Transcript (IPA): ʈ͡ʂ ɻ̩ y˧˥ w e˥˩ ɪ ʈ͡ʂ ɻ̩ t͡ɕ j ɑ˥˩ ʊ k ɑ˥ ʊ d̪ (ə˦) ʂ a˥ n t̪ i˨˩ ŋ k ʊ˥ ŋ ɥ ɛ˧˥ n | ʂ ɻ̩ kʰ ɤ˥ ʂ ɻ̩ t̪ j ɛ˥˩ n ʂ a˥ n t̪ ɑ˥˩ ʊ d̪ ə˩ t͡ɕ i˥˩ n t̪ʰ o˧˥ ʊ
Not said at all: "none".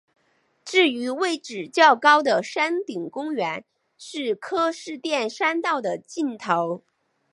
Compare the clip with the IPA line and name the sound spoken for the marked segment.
ə˨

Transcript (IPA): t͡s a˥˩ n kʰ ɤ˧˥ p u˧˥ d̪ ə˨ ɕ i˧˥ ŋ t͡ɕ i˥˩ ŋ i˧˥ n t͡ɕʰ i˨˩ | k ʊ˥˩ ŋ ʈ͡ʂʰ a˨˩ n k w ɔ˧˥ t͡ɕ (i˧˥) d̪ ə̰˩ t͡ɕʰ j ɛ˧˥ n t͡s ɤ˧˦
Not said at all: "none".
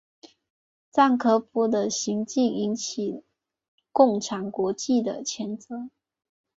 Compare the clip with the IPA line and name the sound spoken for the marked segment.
i˥˩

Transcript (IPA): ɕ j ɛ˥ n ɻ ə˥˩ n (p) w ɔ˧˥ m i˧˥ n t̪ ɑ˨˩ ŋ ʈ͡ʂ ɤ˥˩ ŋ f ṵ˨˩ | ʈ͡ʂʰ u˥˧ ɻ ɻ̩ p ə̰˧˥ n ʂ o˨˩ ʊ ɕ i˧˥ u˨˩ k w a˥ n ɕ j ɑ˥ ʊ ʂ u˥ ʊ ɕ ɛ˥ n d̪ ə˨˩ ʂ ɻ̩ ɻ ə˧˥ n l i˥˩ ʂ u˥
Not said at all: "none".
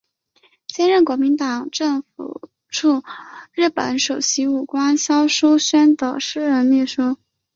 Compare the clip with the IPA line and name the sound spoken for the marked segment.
k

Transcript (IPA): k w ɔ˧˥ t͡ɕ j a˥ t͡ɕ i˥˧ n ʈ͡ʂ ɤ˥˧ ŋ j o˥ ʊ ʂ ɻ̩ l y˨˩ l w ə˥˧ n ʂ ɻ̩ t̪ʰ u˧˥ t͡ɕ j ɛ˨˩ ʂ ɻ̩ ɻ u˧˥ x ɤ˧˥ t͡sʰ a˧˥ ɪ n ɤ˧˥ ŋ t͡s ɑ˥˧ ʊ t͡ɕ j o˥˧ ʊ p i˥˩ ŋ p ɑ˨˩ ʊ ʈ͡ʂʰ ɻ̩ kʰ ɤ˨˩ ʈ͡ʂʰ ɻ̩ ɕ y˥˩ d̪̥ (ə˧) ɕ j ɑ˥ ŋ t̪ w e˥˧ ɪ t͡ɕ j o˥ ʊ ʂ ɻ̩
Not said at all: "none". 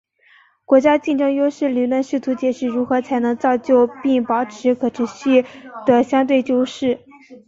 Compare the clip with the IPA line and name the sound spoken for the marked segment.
ə˩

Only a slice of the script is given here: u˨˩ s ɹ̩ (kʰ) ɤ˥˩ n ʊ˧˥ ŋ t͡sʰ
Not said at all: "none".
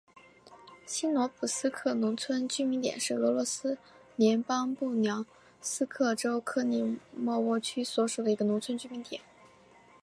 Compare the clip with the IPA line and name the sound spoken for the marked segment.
kʰ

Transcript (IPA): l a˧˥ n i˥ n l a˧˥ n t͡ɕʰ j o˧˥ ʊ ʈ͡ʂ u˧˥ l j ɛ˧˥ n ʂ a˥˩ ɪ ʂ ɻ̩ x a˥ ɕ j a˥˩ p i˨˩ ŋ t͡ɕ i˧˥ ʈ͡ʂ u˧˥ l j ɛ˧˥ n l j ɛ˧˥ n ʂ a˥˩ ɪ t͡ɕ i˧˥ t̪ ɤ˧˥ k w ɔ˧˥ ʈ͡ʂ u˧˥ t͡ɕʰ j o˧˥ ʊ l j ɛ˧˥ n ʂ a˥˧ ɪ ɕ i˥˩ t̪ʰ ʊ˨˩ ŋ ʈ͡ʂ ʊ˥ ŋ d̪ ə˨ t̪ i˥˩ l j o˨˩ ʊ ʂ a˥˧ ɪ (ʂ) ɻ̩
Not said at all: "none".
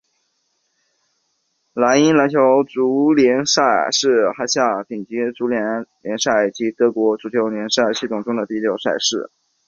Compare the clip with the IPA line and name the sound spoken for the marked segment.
ʂ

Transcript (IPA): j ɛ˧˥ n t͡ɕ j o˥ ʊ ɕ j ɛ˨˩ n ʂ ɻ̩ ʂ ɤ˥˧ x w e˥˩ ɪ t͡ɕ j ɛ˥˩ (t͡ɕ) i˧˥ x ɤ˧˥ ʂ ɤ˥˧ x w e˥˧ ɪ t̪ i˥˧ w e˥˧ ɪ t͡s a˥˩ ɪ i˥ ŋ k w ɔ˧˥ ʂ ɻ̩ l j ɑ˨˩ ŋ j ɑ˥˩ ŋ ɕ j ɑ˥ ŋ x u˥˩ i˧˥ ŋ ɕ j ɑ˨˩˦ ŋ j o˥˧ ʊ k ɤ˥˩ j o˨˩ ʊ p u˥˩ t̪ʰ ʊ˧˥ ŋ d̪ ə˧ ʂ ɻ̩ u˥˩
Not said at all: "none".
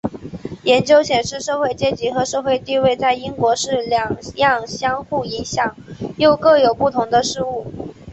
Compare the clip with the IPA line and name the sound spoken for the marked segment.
t͡ɕ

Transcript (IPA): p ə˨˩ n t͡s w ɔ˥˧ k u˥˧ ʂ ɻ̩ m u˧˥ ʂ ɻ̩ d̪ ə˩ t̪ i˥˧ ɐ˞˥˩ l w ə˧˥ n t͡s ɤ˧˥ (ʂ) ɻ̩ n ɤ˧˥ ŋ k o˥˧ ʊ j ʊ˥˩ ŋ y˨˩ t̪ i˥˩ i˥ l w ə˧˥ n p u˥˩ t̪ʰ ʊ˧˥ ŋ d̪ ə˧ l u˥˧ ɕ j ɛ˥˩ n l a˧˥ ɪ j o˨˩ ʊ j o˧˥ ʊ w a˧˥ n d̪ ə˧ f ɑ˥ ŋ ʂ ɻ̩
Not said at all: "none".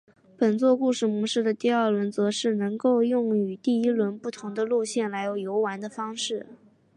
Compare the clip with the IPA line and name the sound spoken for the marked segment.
ʂ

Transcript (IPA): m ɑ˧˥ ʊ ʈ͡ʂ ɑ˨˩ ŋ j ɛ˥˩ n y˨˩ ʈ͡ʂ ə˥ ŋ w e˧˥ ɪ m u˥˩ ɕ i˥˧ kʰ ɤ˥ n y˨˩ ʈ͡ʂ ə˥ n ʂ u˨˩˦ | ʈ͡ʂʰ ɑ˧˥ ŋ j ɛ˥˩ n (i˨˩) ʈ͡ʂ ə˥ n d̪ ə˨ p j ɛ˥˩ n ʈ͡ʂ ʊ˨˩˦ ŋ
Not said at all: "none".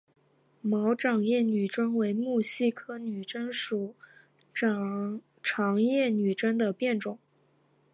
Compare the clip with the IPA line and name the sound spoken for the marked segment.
y˨˩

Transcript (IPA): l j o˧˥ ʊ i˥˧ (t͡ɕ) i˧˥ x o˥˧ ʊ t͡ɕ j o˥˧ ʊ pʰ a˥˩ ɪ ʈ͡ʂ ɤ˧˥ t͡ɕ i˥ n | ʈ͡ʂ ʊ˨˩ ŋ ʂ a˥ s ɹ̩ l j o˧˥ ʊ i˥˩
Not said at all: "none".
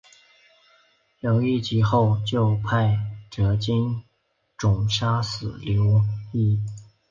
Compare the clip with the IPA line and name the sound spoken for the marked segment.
t͡ɕ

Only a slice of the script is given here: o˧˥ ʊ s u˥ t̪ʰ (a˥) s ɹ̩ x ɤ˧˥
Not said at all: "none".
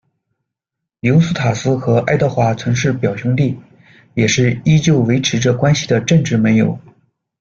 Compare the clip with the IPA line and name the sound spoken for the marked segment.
a˨˩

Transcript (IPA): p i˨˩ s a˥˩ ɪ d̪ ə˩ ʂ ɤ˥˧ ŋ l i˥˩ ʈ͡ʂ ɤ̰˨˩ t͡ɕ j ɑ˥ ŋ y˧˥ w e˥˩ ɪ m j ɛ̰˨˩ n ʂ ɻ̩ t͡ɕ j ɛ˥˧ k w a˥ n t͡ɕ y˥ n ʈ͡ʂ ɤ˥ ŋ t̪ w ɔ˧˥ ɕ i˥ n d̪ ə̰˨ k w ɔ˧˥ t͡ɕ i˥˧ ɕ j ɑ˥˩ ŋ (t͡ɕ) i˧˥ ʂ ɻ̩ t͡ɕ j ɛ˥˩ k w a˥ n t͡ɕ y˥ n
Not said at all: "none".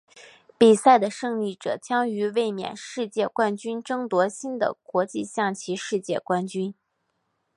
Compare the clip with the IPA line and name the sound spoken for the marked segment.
t͡ɕʰ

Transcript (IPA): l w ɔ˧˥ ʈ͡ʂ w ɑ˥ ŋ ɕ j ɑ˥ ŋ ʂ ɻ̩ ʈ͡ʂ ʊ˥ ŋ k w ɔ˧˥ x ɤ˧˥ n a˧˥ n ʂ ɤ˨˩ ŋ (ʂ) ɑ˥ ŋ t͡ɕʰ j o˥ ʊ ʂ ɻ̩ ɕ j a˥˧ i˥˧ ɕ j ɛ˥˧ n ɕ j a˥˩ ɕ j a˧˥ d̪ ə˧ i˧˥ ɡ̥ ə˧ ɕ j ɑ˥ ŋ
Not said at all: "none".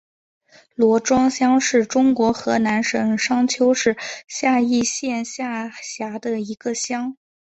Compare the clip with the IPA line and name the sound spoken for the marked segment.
ʂ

